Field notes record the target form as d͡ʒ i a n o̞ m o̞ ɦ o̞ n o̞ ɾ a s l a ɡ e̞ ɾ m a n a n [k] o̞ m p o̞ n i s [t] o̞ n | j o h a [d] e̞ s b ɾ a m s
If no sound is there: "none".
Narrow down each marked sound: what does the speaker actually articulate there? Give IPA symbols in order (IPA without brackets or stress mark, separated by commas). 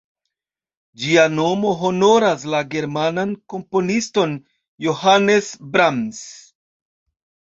k, t, n